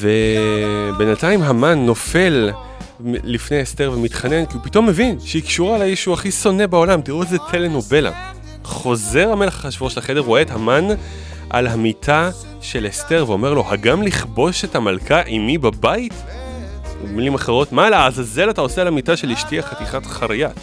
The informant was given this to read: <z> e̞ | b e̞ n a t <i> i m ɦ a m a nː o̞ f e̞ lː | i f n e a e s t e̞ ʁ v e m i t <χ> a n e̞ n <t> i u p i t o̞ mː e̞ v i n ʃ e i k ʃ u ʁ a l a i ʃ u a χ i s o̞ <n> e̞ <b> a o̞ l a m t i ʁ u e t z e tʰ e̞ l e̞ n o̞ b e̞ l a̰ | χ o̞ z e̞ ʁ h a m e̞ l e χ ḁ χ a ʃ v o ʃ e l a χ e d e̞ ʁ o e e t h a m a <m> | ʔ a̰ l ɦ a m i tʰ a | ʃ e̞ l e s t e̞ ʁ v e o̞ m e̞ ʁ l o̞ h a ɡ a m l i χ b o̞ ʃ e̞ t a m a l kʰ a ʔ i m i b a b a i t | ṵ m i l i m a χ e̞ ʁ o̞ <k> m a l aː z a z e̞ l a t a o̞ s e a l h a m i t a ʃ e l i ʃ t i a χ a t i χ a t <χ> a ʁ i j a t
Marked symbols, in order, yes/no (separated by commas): no, no, yes, no, yes, yes, no, no, yes